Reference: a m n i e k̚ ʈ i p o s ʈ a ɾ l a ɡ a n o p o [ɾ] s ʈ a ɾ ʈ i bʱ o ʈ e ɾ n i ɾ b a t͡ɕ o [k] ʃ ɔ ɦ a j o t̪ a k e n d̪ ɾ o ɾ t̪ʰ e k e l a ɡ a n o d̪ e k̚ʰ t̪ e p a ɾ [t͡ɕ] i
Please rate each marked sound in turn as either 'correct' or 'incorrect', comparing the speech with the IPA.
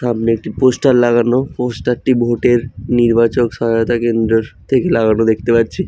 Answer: incorrect: none, correct, incorrect: t͡ɕʰ

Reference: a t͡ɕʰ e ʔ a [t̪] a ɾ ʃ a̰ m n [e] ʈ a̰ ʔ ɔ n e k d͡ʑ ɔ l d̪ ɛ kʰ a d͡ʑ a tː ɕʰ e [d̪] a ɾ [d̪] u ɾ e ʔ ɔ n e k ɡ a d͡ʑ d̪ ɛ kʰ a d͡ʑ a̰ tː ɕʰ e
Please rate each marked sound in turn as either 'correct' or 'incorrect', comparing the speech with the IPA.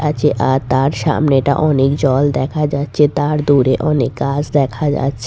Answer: correct, correct, incorrect: t̪, correct

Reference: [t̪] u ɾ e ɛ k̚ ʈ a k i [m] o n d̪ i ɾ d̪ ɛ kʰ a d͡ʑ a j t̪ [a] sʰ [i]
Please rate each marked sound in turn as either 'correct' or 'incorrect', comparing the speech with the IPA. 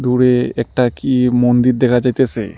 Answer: incorrect: d̪, correct, incorrect: e, incorrect: e

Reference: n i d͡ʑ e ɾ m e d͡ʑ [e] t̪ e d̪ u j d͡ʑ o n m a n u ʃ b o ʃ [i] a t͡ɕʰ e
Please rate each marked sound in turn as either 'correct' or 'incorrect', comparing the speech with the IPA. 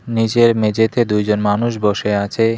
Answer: correct, incorrect: e

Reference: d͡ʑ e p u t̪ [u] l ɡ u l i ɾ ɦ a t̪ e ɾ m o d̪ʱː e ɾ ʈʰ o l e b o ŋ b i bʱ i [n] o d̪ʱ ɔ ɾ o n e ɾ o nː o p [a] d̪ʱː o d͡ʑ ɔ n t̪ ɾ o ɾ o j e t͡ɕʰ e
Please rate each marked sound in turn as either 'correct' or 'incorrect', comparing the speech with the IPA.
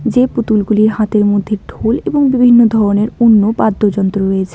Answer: correct, incorrect: nː, correct

